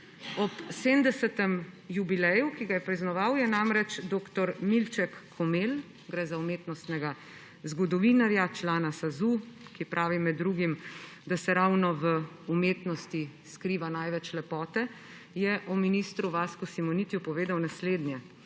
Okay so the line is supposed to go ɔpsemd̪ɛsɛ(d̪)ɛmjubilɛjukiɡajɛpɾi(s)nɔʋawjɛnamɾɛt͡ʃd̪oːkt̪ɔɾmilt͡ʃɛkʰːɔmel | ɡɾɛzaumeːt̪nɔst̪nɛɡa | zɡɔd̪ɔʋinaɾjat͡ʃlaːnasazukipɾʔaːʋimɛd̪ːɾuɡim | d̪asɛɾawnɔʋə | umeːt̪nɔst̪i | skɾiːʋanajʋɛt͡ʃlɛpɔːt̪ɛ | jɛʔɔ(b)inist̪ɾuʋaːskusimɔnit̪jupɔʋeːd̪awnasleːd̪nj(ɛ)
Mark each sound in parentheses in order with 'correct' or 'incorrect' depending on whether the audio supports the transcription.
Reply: incorrect, incorrect, incorrect, correct

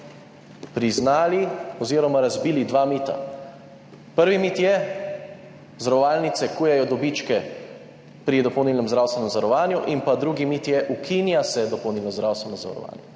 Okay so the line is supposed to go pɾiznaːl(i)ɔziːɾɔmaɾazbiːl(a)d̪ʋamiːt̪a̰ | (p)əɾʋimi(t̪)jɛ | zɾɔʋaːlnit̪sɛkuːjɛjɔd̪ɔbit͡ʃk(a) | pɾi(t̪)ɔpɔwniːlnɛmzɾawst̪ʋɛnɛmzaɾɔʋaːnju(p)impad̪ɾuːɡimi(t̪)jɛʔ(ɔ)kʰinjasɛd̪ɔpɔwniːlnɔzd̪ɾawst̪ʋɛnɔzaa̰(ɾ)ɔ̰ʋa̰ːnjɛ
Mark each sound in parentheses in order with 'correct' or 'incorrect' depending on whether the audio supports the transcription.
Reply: correct, incorrect, correct, correct, incorrect, incorrect, incorrect, correct, incorrect, correct

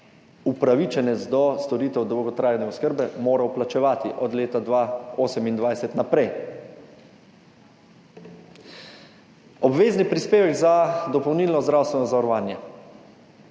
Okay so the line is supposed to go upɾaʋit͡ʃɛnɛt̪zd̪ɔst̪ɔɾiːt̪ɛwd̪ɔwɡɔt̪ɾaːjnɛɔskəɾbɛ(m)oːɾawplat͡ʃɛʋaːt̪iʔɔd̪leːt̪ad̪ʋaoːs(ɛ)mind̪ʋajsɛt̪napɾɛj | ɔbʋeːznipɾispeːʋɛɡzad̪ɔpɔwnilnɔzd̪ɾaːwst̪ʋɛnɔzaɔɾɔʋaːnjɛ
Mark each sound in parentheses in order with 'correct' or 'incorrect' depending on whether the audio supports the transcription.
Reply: correct, correct

